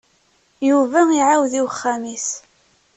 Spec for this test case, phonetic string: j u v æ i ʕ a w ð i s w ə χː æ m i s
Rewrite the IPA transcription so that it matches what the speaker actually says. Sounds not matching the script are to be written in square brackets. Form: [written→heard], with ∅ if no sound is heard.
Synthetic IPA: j u v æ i ʕ a w ð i [s→∅] w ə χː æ m i s